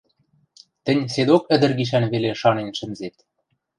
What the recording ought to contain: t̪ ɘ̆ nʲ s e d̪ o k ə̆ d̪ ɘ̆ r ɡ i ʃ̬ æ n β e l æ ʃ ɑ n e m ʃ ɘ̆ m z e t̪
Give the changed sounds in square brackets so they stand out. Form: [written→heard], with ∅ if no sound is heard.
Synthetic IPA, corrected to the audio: t̪ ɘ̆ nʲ s e d̪ o k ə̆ d̪ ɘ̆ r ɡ i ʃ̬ æ n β e l [æ→e] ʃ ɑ n e [m→n] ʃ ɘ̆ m z e t̪